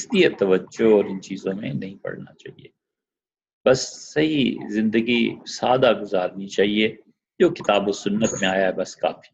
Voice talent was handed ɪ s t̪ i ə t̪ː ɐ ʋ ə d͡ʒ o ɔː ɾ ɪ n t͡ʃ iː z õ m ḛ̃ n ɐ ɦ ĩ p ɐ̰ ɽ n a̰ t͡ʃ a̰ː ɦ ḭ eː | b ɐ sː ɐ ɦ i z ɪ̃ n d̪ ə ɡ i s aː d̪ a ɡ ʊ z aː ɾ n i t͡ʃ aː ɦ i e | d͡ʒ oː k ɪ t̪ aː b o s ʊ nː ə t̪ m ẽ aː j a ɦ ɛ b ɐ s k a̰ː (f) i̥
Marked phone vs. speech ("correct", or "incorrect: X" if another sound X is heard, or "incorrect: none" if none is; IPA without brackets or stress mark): correct